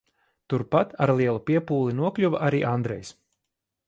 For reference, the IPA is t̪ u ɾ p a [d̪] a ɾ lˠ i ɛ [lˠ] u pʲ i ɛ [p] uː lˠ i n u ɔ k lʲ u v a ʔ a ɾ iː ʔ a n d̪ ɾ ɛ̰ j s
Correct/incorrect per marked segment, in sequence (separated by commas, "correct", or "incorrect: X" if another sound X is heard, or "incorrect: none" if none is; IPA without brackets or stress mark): incorrect: t̪, correct, correct